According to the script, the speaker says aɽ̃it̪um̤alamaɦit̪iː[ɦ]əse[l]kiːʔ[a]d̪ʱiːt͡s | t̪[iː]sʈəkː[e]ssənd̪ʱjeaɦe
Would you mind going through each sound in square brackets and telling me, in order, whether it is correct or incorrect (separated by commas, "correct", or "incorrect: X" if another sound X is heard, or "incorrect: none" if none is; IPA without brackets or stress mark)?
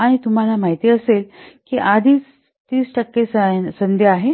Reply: incorrect: none, correct, correct, correct, correct